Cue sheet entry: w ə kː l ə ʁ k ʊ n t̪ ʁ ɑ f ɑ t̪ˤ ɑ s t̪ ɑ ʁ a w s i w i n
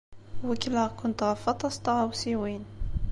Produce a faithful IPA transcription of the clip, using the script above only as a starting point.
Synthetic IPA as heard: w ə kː l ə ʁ k ʊ n t̪ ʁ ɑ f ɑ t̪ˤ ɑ s t̪ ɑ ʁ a w s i w i n